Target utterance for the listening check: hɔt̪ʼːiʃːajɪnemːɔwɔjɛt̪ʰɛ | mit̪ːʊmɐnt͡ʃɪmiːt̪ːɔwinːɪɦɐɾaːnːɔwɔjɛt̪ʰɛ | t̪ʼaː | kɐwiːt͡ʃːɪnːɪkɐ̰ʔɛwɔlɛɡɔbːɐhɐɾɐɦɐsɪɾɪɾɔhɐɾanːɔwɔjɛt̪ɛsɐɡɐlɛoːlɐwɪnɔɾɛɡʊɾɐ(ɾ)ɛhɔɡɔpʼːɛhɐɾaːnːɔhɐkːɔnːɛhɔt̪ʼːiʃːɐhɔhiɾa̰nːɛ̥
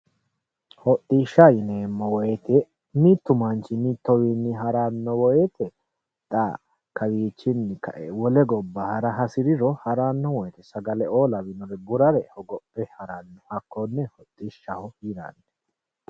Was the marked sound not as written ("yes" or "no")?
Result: no